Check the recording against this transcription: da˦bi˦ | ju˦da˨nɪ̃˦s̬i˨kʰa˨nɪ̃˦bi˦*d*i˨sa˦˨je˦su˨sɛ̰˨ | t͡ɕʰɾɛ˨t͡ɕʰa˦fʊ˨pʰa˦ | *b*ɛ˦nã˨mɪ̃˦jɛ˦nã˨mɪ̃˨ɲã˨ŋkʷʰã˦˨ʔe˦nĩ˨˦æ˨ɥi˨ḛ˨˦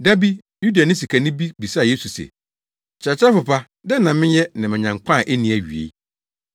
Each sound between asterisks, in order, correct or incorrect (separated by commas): incorrect, incorrect